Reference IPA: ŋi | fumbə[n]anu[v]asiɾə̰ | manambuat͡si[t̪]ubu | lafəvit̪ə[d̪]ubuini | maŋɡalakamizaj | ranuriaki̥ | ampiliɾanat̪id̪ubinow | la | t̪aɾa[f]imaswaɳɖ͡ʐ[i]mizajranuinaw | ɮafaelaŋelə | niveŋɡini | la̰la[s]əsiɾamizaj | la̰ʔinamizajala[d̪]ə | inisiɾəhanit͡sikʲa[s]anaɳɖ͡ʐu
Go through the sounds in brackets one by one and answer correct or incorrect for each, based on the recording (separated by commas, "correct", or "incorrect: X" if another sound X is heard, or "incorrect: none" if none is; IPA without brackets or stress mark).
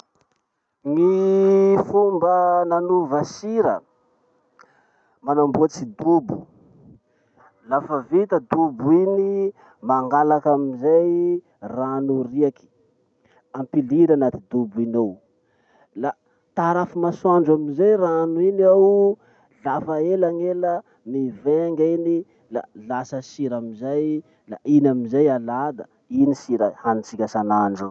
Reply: correct, correct, incorrect: d̪, correct, correct, incorrect: a, correct, correct, correct